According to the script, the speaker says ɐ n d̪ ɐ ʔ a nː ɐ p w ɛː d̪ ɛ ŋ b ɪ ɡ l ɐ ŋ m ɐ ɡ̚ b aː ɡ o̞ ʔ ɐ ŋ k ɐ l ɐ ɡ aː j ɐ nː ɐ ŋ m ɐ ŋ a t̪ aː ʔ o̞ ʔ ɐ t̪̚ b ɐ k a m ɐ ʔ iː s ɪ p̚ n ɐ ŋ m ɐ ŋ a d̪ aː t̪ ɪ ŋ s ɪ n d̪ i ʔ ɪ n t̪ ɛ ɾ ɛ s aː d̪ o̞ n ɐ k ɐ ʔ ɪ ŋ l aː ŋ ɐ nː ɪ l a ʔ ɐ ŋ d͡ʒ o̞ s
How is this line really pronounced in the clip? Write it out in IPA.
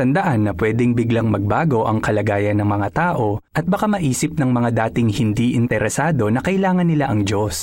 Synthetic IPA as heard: ɐ n d̪ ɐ ʔ a nː ɐ p w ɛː d̪ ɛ ŋ b ɪ ɡ l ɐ ŋ m ɐ ɡ̚ b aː ɡ o̞ ʔ ɐ ŋ k ɐ l ɐ ɡ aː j ɐ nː ɐ ŋ m ɐ ŋ a t̪ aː ʔ o̞ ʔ ɐ t̪̚ b ɐ k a m ɐ ʔ iː s ɪ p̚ n ɐ ŋ m ɐ ŋ a d̪ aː t̪ ɪ ŋ h ɪ n d̪ i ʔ ɪ n t̪ ɛ ɾ ɛ s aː d̪ o̞ n ɐ k ɐ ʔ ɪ l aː ŋ ɐ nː ɪ l a ʔ ɐ ŋ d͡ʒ o̞ s